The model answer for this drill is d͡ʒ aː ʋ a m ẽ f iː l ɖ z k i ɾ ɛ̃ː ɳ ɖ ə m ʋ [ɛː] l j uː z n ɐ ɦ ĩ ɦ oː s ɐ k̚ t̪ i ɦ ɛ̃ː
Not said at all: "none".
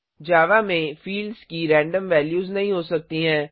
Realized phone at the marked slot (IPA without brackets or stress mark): ɛː